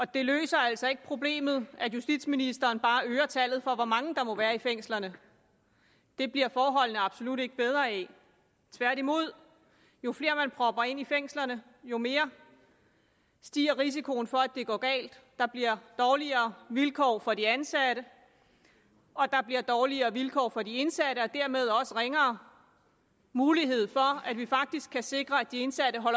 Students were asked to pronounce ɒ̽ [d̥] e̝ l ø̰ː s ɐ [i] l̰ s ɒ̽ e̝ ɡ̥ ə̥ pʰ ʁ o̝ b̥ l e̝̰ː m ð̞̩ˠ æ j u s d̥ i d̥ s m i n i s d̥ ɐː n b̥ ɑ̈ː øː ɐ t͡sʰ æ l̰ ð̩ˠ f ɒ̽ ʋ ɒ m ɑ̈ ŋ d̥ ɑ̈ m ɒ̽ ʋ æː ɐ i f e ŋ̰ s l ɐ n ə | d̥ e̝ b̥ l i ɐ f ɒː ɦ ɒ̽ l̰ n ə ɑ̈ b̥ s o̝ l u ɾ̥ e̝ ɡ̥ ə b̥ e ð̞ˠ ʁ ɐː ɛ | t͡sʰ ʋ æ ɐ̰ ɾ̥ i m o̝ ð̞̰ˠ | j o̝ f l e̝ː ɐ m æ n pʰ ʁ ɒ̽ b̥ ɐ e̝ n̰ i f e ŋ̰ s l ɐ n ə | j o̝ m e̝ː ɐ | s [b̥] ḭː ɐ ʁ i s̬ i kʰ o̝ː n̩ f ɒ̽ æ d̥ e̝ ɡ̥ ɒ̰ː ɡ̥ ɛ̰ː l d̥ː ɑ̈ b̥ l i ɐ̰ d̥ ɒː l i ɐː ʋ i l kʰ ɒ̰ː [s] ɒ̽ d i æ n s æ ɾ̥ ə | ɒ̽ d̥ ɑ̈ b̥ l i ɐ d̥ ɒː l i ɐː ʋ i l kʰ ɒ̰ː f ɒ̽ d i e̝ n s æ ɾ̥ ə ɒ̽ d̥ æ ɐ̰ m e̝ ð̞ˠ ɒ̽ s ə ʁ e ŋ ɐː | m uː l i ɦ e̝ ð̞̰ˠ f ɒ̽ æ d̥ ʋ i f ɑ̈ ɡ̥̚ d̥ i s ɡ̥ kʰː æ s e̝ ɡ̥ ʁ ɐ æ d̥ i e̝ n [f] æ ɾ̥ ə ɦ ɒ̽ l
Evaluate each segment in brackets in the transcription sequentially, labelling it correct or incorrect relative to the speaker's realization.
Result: correct, incorrect, incorrect, incorrect, incorrect

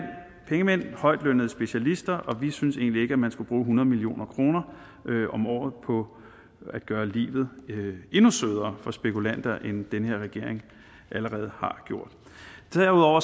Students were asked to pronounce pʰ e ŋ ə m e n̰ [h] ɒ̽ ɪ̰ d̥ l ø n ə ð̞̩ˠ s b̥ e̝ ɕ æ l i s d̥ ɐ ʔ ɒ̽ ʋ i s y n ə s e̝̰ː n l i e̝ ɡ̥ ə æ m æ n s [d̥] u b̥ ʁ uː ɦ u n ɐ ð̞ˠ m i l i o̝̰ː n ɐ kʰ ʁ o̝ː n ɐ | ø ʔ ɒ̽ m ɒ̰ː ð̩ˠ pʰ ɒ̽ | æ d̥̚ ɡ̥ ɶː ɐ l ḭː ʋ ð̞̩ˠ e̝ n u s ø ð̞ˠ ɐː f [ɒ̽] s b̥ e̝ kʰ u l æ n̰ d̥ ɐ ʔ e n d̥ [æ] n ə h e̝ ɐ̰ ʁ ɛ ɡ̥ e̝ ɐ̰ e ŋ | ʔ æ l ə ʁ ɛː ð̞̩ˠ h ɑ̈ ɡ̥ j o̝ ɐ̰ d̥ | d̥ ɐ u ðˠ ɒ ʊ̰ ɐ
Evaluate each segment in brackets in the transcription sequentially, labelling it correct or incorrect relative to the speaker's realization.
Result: correct, incorrect, correct, incorrect

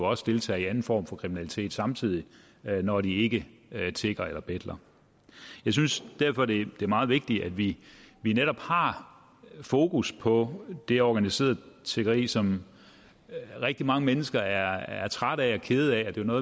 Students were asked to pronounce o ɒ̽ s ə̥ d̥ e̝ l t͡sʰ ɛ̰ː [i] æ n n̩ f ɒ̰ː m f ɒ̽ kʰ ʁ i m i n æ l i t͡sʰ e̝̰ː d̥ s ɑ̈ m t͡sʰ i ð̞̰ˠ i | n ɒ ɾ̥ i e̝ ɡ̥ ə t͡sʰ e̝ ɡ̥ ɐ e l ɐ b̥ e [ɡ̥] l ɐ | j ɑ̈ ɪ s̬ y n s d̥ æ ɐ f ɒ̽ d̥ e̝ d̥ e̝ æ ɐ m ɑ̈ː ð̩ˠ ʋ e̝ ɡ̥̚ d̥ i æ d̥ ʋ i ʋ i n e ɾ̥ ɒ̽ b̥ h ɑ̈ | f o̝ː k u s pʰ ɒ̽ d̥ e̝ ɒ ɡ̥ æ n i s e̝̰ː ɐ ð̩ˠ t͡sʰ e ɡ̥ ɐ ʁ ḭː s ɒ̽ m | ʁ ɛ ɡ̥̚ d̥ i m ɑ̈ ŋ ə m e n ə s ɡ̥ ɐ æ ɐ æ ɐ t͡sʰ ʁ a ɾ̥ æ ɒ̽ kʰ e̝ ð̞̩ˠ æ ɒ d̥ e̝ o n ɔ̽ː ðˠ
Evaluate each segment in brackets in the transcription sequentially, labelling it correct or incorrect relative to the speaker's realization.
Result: correct, incorrect

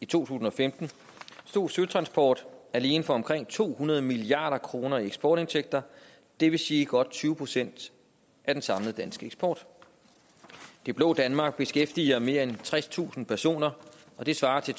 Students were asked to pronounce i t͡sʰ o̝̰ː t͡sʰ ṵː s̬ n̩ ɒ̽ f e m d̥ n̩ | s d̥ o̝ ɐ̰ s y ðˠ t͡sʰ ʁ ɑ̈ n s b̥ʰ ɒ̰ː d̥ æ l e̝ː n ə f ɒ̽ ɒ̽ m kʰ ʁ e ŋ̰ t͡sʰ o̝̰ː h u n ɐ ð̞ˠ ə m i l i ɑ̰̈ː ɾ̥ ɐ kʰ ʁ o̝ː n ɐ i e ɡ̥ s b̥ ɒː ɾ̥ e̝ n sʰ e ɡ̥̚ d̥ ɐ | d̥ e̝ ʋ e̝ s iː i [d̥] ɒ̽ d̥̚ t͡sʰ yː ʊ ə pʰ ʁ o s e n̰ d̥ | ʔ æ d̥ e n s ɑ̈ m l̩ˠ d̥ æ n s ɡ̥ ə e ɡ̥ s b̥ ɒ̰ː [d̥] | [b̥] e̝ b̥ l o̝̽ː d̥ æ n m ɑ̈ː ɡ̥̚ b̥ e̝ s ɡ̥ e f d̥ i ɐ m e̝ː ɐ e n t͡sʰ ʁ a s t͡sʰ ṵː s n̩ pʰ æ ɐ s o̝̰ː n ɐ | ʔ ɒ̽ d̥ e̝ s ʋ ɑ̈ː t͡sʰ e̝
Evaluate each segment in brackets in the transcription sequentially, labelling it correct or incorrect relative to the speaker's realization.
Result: incorrect, correct, incorrect

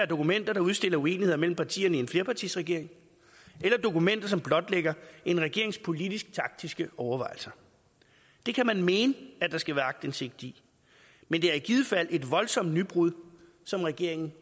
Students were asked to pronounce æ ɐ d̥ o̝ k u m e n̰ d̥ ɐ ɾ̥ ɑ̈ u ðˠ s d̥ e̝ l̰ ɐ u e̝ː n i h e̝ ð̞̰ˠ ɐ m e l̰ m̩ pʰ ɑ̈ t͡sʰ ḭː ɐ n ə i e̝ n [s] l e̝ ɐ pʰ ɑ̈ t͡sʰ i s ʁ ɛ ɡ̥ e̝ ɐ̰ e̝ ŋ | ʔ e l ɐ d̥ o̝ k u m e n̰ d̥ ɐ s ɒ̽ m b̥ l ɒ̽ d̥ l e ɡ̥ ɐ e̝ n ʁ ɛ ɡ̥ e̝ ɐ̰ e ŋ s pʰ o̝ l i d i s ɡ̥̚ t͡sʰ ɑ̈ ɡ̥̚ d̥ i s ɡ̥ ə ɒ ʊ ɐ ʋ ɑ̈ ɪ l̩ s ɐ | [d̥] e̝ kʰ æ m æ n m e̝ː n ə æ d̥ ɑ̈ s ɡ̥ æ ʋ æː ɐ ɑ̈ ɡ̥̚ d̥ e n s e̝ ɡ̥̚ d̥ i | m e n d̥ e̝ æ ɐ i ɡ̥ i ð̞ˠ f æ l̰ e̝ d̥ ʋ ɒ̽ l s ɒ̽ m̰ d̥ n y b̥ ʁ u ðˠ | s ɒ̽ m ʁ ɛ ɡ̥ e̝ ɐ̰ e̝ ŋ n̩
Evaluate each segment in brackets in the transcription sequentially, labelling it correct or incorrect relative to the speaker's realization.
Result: incorrect, correct

